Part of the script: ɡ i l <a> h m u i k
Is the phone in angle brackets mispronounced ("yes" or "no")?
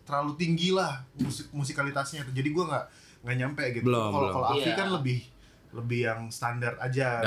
no